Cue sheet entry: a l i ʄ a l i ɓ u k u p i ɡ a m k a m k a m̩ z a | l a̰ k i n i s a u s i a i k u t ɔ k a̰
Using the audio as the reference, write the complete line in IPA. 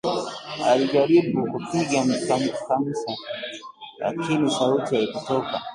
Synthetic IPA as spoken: a l i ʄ a ɾ i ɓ u k u p i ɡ a m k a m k a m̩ s a | l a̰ k i n i s a u t i a i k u t ɔ k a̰